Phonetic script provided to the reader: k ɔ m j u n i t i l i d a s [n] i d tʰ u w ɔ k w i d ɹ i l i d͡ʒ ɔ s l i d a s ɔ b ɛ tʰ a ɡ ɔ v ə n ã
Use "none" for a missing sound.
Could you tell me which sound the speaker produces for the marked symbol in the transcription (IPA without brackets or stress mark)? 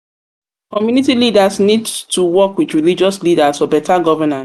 n